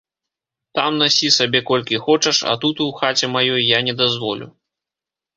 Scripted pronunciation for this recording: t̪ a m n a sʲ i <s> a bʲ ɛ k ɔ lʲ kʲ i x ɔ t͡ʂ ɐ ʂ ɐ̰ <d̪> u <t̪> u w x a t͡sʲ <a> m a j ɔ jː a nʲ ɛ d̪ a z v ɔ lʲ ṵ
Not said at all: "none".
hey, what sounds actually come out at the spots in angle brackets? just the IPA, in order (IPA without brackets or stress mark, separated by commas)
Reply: s, t̪, t̪, ɛ